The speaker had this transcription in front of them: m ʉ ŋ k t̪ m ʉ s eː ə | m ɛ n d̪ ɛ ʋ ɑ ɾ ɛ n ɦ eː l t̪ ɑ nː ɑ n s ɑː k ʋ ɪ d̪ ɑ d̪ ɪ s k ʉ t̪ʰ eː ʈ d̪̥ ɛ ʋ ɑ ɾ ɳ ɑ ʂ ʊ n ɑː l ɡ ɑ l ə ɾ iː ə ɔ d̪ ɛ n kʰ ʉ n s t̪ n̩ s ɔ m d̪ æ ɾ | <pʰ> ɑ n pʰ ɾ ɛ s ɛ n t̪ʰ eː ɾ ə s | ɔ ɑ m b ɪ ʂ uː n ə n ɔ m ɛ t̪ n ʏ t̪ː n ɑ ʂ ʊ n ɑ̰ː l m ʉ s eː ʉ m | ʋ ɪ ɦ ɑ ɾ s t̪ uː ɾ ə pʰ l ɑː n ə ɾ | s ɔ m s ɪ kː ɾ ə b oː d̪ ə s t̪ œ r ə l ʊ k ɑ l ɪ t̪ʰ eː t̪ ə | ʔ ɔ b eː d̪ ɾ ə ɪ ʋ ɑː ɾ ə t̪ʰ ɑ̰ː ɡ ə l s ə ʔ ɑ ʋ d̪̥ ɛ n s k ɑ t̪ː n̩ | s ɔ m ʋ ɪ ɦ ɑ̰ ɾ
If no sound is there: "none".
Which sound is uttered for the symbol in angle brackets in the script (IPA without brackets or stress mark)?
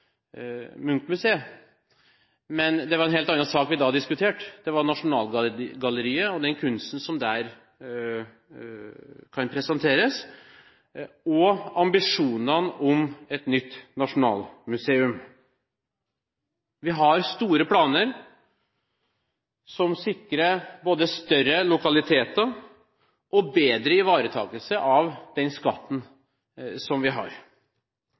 kʰ